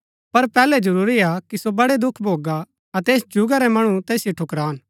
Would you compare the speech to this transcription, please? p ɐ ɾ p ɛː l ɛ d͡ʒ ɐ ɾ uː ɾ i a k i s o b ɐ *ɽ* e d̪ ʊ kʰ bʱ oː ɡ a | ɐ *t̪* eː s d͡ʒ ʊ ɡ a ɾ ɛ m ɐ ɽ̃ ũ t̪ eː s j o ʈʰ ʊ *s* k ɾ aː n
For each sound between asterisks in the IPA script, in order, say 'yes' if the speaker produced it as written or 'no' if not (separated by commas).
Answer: yes, yes, no